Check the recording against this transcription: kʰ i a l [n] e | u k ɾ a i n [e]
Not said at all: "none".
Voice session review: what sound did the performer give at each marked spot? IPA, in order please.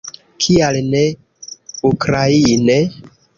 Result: n, e

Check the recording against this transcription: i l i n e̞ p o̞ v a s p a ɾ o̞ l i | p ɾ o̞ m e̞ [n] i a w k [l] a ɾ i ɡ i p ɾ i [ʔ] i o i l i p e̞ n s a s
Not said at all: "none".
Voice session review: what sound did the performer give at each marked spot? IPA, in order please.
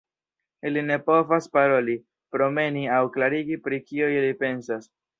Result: n, l, k

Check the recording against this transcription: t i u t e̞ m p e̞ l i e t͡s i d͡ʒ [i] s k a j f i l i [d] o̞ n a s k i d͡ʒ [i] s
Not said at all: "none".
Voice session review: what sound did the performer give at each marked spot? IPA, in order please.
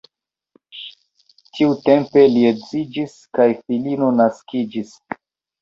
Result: i, n, i

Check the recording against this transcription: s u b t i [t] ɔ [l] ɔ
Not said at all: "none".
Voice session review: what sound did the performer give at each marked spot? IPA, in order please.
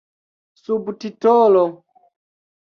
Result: t, l

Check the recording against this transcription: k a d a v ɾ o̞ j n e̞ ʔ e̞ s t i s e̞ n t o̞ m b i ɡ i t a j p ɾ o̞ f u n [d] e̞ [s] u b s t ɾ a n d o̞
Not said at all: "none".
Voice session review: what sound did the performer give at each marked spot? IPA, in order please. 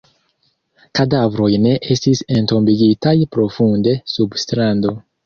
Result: d, s

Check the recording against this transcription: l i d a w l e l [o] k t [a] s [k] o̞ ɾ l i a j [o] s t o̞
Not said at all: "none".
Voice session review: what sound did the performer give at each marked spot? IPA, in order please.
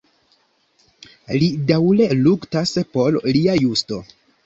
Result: u, a, p, u

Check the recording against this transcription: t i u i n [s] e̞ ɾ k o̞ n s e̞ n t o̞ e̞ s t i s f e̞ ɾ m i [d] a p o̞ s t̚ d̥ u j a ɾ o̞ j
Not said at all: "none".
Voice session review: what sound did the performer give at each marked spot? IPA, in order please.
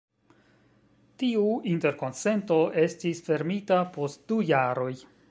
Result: t, t

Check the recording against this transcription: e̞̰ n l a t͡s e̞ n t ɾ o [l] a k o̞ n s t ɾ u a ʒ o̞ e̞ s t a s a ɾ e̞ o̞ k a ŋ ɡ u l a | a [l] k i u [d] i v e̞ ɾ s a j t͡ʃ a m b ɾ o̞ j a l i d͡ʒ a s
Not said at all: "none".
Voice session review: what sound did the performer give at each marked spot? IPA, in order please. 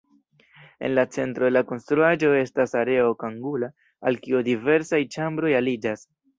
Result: l, l, d

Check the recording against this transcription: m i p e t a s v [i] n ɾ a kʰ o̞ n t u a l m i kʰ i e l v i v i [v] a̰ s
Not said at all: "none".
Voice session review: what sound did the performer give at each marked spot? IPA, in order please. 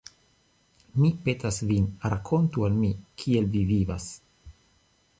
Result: i, v

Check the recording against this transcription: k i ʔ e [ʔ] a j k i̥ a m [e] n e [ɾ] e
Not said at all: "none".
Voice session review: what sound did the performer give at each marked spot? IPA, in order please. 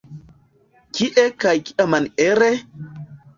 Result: k, a, ɾ

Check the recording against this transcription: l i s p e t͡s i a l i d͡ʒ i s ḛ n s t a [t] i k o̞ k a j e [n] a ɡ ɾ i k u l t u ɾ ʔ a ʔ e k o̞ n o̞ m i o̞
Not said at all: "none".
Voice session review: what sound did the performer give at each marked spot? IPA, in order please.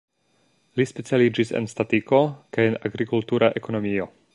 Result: t, n

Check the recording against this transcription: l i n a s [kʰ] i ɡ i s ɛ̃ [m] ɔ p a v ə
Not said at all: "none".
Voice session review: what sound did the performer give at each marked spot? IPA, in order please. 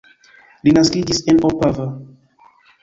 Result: k, n

